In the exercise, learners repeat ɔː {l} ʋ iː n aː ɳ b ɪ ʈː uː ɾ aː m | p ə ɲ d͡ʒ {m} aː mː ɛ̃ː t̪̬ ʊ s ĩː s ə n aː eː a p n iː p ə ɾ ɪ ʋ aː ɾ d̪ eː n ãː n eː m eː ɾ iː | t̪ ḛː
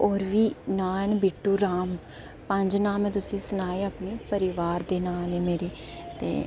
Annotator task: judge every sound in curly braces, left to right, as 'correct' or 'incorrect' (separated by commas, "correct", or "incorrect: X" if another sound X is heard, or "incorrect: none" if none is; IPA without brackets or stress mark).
incorrect: ɾ, incorrect: n